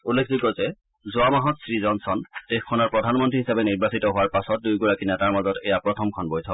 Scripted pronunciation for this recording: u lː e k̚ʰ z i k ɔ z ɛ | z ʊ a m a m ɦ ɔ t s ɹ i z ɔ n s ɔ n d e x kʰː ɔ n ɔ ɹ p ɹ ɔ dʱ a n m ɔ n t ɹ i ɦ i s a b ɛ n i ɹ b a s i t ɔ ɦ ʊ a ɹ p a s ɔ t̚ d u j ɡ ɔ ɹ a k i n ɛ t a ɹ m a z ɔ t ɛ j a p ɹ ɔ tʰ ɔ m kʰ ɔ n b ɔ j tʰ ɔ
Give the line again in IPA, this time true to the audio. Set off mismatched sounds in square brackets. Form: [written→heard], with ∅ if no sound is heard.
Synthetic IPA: u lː e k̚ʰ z i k ɔ z ɛ | z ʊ a m a [m→∅] ɦ ɔ t s ɹ i z ɔ n s ɔ n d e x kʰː ɔ n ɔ ɹ p ɹ ɔ dʱ a n m ɔ n t ɹ i ɦ i s a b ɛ n i ɹ b a s i t ɔ ɦ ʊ a ɹ p a s ɔ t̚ d u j ɡ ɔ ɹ a k i n ɛ t a ɹ m a z ɔ t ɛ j a p ɹ ɔ tʰ ɔ m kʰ ɔ n b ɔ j tʰ ɔ